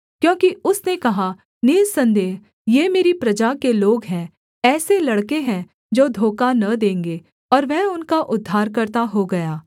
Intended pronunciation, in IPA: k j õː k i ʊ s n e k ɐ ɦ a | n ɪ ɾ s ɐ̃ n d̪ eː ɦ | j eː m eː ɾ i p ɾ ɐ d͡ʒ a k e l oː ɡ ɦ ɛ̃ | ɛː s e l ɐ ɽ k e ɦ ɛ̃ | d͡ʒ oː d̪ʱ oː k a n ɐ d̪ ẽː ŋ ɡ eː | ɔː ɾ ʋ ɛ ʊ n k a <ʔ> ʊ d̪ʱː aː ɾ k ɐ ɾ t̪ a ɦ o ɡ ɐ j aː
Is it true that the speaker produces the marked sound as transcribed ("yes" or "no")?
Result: yes